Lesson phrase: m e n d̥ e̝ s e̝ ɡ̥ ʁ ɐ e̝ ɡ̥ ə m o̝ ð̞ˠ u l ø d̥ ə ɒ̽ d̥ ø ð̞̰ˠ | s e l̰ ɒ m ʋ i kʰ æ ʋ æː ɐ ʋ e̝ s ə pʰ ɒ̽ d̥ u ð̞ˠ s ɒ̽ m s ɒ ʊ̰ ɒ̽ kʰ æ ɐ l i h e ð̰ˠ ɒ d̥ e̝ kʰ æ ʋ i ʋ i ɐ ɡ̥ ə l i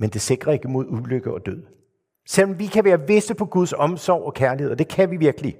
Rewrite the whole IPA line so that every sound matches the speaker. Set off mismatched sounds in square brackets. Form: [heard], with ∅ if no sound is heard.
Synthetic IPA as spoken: m e n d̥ e̝ s e̝ ɡ̥ ʁ ɐ e̝ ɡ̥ ə m o̝ ð̞ˠ u l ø [ɡ̥] ə ɒ̽ d̥ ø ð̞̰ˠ | s e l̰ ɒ m ʋ i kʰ æ ʋ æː ɐ ʋ e̝ s ə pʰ ɒ̽ [ɡ̥] u ð̞ˠ s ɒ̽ m s ɒ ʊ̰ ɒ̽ kʰ æ ɐ l i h e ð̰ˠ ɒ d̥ e̝ kʰ æ ʋ i ʋ i ɐ ɡ̥ ə l i